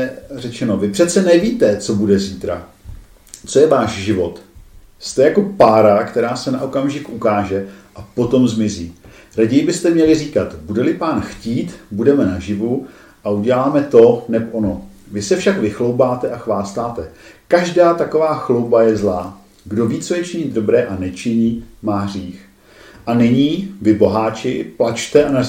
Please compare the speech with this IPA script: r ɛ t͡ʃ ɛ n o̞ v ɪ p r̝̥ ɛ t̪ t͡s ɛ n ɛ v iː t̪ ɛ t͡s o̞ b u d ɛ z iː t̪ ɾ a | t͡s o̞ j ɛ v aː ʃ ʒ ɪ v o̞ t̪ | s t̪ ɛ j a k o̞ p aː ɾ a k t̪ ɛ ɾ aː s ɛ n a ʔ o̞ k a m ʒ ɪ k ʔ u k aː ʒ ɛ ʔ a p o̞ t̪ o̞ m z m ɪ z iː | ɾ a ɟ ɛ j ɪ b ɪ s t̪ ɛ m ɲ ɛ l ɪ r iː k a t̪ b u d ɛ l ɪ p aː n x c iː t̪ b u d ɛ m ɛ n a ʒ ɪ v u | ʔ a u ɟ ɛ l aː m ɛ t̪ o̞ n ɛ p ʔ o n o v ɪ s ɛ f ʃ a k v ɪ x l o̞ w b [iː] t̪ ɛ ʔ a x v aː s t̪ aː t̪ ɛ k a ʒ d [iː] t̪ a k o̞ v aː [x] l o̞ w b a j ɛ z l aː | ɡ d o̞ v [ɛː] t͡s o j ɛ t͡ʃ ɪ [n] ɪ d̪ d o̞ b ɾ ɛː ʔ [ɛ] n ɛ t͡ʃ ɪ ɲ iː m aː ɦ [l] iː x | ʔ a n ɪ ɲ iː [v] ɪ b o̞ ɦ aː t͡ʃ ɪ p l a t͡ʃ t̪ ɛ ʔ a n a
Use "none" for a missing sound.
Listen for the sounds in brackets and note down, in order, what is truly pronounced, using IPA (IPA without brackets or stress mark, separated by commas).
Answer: aː, aː, x, iː, ɲ, a, r, v